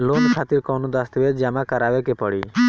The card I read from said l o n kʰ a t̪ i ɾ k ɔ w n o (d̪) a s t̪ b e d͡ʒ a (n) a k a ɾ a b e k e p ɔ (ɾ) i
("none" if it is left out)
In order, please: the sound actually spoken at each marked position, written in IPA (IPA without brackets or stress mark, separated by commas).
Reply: d̪, m, ɽ